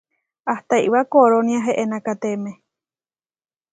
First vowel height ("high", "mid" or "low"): low